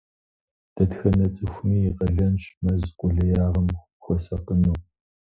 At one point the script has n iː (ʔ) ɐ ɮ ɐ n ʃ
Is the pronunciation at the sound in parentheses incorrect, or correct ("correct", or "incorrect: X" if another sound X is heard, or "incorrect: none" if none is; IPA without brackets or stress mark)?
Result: incorrect: q